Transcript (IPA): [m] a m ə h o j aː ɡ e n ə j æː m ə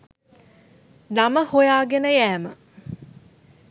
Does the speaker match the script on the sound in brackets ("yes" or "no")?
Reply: no